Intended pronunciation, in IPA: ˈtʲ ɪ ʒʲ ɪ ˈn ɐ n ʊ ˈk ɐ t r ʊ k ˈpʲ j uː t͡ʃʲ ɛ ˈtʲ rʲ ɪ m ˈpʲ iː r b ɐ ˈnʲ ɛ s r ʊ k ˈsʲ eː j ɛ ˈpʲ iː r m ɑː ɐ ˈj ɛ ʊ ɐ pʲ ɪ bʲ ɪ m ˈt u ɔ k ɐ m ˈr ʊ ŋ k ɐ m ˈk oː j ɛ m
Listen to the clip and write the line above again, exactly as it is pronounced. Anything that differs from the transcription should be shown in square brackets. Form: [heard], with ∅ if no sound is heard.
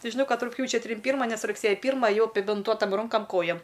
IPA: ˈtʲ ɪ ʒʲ ɪ ˈn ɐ [∅] ʊ ˈk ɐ t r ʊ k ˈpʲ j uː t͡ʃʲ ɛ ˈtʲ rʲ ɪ m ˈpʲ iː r [m] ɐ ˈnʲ ɛ s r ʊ k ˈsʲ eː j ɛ ˈpʲ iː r m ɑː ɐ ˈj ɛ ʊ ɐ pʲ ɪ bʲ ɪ [n] ˈt u ɔ [t] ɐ m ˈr ʊ ŋ k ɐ m ˈk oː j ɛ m